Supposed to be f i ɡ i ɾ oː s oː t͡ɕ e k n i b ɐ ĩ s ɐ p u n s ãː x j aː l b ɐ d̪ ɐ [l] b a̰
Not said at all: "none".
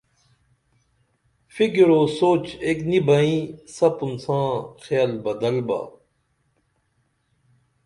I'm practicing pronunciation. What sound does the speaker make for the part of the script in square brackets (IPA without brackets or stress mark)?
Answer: l